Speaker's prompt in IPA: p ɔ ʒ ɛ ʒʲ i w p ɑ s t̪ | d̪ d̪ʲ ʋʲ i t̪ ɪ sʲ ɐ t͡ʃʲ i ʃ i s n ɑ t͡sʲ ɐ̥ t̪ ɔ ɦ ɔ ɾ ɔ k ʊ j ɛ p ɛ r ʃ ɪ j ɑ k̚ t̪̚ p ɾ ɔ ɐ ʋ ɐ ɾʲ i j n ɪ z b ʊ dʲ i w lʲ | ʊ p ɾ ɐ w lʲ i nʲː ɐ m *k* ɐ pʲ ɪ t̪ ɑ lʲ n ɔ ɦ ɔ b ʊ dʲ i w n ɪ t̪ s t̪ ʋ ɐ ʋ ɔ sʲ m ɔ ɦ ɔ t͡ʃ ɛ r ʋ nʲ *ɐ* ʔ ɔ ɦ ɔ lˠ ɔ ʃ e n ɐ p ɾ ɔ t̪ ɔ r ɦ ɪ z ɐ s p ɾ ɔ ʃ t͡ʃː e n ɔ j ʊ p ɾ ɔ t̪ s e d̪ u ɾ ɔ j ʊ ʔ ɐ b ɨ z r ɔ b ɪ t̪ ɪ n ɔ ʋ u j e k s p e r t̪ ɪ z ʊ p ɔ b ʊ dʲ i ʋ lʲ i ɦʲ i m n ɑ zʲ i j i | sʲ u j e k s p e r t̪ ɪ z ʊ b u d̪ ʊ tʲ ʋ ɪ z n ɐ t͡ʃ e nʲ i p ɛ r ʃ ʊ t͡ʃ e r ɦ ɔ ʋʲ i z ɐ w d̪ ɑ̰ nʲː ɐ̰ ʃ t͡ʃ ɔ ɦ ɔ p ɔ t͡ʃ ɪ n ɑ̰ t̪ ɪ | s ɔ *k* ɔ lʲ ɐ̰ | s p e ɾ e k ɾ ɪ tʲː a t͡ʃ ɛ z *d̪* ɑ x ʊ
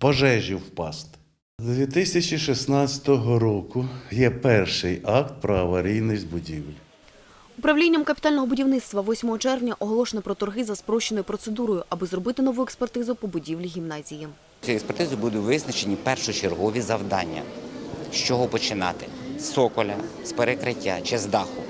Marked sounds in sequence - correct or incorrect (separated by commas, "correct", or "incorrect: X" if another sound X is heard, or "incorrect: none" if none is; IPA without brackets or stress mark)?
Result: correct, correct, correct, correct